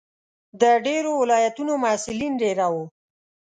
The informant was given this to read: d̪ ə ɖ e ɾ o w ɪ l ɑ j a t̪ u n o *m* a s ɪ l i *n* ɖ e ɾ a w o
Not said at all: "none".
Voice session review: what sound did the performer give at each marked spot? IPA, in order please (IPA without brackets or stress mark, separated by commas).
m, n